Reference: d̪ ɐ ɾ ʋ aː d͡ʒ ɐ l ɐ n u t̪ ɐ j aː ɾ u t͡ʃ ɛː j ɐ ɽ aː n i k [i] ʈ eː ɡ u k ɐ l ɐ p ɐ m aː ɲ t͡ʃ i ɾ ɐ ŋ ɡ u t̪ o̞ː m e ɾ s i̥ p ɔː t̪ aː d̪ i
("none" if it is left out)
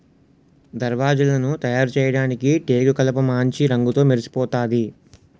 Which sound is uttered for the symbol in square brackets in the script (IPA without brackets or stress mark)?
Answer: i